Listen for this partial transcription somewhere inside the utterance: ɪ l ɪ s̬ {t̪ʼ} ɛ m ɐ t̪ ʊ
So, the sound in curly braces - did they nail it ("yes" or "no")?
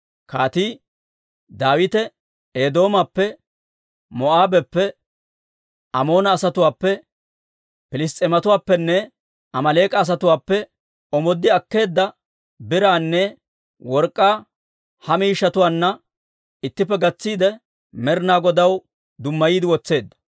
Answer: yes